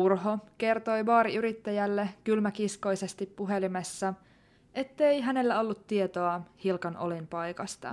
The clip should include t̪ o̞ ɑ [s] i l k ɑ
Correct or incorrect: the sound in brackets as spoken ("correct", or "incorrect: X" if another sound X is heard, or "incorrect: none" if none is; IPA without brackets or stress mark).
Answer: incorrect: h